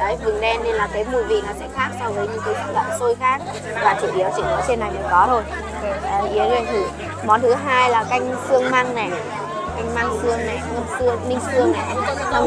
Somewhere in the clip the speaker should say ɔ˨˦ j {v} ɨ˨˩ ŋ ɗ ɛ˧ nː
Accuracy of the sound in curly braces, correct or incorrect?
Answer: correct